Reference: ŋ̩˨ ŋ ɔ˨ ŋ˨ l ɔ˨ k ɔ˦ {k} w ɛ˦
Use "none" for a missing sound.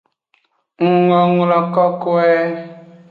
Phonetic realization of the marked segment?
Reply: k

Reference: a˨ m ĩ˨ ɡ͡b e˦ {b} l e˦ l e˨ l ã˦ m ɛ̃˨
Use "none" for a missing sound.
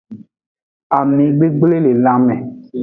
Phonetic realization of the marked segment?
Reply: ɡ͡b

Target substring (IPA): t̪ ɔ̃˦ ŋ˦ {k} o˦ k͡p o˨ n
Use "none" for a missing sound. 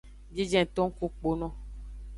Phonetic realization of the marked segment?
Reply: k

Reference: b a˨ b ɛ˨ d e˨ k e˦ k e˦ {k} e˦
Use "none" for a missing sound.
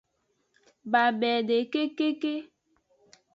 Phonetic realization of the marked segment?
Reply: k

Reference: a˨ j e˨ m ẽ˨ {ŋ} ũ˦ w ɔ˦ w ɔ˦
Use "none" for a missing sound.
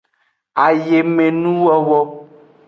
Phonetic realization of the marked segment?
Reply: n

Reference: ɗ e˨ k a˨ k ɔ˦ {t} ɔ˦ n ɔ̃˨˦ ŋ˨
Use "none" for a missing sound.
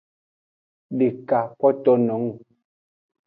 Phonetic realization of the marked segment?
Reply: t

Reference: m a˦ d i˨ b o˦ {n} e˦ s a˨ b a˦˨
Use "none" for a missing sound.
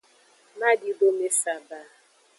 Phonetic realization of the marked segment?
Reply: m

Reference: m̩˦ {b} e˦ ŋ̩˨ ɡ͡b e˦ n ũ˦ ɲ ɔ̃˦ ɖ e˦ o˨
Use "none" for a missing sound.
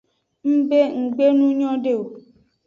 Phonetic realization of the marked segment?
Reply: b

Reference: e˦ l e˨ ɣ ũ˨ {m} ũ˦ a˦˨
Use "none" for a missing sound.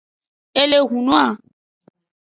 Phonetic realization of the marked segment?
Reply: n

